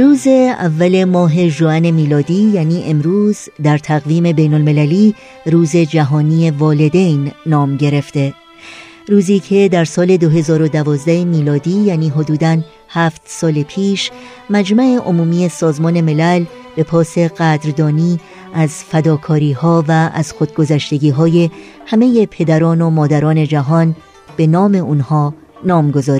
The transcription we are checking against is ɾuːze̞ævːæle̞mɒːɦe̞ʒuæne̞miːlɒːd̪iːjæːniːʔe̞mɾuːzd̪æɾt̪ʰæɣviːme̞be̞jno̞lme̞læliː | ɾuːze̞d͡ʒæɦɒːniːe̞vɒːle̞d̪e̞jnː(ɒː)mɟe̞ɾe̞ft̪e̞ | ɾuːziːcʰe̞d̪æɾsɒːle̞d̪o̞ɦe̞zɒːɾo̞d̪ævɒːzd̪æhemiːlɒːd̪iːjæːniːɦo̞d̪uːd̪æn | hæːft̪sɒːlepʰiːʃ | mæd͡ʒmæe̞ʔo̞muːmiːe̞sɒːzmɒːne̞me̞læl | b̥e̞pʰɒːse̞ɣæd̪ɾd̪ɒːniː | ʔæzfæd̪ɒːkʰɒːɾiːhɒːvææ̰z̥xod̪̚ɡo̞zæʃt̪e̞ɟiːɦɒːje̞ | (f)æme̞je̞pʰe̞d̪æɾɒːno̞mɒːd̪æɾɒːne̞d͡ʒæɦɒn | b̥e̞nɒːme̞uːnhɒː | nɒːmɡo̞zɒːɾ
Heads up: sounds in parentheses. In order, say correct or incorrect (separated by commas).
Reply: correct, incorrect